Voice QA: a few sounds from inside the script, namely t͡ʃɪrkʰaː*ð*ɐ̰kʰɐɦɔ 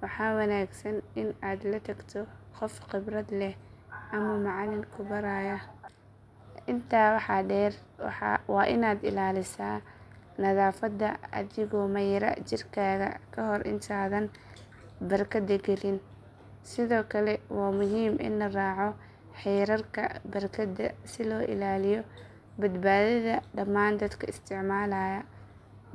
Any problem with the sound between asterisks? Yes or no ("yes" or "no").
yes